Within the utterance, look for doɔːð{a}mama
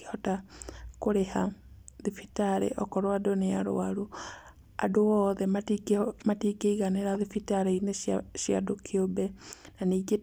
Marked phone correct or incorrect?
incorrect